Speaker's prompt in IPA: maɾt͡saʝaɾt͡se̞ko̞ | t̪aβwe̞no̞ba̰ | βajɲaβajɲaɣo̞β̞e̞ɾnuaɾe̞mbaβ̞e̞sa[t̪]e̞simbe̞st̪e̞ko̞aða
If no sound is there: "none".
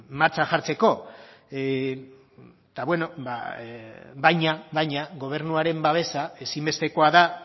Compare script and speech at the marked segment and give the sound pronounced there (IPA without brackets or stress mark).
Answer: none